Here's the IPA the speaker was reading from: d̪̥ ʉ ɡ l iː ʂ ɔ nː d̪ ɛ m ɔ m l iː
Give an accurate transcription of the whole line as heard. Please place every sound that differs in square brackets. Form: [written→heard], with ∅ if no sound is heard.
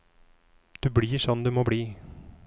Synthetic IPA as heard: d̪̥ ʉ [ɡ→b] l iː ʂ ɔ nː d̪ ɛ m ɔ [m→b] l iː